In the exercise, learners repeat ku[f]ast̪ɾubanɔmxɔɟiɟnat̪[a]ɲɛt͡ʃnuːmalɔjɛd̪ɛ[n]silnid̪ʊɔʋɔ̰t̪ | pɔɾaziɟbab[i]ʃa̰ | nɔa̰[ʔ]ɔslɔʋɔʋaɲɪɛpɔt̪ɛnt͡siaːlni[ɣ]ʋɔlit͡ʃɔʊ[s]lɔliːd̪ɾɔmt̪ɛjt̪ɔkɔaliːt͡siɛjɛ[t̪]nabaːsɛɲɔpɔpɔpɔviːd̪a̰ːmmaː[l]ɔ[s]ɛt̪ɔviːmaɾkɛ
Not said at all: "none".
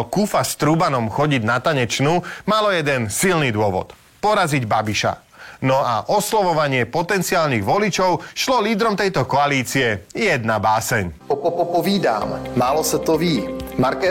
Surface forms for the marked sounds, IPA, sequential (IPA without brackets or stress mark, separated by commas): f, a, n, i, ʔ, ɣ, ʃ, d̪, l, s